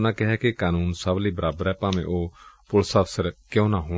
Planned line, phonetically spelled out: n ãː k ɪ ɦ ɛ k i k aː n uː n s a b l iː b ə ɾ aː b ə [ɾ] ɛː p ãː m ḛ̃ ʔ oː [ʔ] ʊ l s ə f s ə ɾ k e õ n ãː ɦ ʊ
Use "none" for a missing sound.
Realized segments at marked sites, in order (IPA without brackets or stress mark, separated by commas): ɾ, p